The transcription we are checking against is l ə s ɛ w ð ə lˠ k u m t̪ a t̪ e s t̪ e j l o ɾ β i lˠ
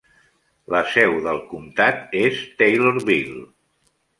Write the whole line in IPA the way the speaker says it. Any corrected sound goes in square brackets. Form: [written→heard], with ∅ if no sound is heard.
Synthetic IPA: l ə s ɛ w ð ə lˠ k u m t̪ a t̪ e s t̪ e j l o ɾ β i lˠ